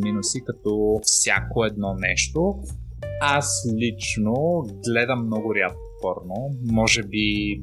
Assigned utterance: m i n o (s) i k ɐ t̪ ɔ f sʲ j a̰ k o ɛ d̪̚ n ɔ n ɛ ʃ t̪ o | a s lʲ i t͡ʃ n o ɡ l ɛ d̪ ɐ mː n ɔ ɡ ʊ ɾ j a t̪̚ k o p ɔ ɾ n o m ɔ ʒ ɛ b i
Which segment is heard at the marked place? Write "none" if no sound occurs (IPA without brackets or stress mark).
s